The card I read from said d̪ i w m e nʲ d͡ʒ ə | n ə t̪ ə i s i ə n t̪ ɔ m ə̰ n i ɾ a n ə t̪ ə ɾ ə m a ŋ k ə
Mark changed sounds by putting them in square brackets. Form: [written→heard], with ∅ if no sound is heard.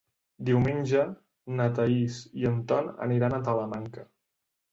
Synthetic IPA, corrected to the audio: d̪ i w m e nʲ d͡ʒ ə | n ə t̪ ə i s i ə n t̪ ɔ [m→n] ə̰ n i ɾ a n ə t̪ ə [ɾ→l] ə m a ŋ k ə

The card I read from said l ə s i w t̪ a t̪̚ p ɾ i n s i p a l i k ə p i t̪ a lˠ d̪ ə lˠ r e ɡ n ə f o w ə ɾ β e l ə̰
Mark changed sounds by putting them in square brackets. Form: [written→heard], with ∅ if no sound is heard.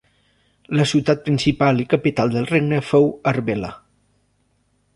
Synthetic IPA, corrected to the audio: l ə s i w t̪ a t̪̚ p ɾ i n s i p a l i k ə p i t̪ a lˠ d̪ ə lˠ r e ɡ n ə f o w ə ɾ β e l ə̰

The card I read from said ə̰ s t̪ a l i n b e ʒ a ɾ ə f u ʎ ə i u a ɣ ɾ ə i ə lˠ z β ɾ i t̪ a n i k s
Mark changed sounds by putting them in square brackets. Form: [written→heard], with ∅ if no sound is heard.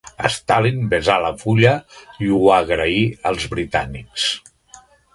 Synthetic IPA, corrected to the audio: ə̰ s t̪ a l i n b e [ʒ→z] a [ɾ→l] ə f u ʎ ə i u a ɣ ɾ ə i ə lˠ z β ɾ i t̪ a n i k s

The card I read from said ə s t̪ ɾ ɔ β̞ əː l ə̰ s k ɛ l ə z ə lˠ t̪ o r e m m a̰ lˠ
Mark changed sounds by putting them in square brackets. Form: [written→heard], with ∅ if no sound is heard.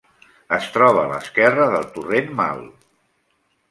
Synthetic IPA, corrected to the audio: ə s t̪ ɾ ɔ β̞ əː l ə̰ s k ɛ [l→r] ə [z→ð] ə lˠ t̪ [o→u] r e [m→n] m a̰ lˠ

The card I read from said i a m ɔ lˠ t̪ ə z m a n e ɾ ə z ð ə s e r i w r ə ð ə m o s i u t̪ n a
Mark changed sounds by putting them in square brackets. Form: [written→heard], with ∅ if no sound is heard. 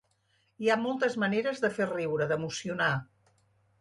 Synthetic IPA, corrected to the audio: i a m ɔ lˠ t̪ ə z m [a→ə] n e ɾ ə z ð ə [s→f] e r i w [r→ɾ] ə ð ə m [o→u] s i u [t̪→∅] n a

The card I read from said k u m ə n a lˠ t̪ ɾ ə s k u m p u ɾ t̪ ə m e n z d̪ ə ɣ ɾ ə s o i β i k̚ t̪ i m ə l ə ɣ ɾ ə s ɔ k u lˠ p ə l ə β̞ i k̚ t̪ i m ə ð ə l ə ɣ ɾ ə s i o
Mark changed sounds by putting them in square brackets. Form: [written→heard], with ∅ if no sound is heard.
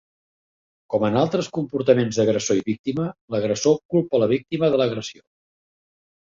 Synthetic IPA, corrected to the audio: k [u→ɔ] m ə n a lˠ t̪ ɾ ə s k u m p u ɾ t̪ ə m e n z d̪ ə ɣ ɾ ə s o i β i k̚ t̪ i m ə l ə ɣ ɾ ə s [ɔ→o] k u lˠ p ə l ə β̞ i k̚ t̪ i m ə ð ə l ə ɣ ɾ ə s i o

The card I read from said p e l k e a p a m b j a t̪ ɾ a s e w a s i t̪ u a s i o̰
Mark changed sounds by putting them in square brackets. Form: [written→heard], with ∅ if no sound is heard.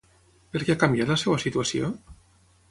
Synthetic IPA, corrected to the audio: p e [l→ɾ] k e a [p→k] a m b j a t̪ [ɾ→l] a s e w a s i t̪ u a s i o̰

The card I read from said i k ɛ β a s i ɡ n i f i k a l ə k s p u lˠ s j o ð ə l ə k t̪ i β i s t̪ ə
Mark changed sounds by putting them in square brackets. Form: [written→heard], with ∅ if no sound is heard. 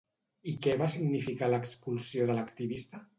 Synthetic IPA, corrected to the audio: i k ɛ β a s i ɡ n i f i k a l ə k s p u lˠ s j o ð ə l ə k t̪ i β i s t̪ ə

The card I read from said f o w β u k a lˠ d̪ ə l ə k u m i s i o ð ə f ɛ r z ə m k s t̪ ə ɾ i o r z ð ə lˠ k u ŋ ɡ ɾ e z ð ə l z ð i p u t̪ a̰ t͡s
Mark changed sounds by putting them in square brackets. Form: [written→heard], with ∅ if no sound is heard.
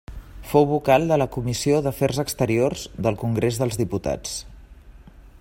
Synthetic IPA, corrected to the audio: f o w β u k a lˠ d̪ ə l ə k u m i s i o ð ə f ɛ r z ə [m→∅] k s t̪ ə ɾ i o r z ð ə lˠ k u ŋ ɡ ɾ e z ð ə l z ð i p u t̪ a̰ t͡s

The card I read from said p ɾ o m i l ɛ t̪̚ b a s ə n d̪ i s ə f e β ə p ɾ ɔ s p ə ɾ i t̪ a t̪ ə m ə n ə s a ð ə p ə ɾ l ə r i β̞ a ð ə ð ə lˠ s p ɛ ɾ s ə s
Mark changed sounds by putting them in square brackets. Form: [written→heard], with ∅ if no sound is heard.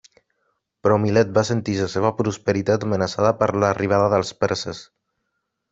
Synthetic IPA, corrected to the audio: p ɾ [o→ɔ] m i l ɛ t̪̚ b a s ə n [d̪→t̪] i s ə [f→s] e β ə p ɾ [ɔ→u] s p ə ɾ i t̪ a t̪ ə m ə n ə s a ð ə p ə ɾ l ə r i β̞ a ð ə ð ə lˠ s p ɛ ɾ s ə s

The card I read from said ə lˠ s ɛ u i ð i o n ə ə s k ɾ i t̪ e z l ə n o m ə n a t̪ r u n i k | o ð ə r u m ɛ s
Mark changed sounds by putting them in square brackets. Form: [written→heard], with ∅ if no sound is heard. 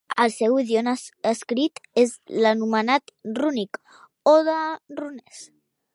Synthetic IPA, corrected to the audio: ə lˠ s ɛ [u→w] i ð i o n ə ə s k ɾ i t̪ e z l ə n [o→u] m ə n a t̪ r u n i k | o ð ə r u [m→n] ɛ s

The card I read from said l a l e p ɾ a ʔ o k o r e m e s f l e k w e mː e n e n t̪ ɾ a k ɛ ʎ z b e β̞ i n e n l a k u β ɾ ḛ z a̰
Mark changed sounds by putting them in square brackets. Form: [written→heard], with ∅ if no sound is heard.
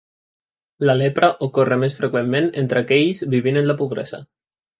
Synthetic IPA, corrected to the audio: l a l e p ɾ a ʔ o k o r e m e s f [l→ɾ] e k w e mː e n e n t̪ ɾ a k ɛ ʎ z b [e→i] β̞ i n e n l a [k→p] u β ɾ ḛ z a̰

